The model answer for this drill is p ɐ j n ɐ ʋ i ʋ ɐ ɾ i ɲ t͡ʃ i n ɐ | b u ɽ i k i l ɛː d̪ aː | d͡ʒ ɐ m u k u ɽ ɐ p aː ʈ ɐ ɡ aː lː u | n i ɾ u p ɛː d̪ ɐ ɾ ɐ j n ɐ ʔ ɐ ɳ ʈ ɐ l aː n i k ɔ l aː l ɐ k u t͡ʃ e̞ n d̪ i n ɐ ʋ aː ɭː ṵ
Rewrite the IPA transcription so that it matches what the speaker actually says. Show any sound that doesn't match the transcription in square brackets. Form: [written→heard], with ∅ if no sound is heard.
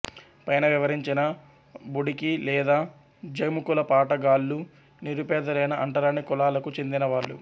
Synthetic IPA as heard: p ɐ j n ɐ ʋ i ʋ ɐ ɾ i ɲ t͡ʃ i n ɐ | b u ɽ i k i l ɛː d̪ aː | d͡ʒ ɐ m u k u [ɽ→l] ɐ p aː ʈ ɐ ɡ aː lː u | n i ɾ u p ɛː d̪ ɐ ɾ ɐ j n ɐ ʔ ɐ ɳ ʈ ɐ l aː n i k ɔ l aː l ɐ k u t͡ʃ e̞ n d̪ i n ɐ ʋ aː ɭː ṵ